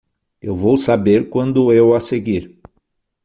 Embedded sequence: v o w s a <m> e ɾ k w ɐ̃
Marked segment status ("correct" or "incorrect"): incorrect